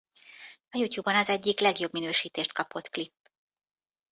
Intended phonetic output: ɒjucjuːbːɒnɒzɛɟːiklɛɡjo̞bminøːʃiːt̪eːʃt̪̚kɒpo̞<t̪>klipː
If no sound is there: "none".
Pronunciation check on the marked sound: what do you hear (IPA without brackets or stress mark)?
t̪